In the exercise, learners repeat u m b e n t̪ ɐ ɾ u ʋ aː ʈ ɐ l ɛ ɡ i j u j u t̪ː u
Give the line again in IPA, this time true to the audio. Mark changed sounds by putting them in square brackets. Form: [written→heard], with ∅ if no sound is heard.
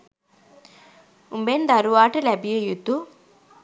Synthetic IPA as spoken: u m b e n [t̪→d̪] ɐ ɾ u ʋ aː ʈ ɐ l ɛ [ɡ→b] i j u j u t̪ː u